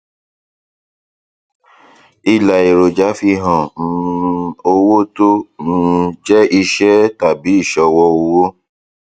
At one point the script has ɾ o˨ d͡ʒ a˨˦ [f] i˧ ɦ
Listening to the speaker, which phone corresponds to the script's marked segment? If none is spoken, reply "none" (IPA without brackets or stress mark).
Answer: f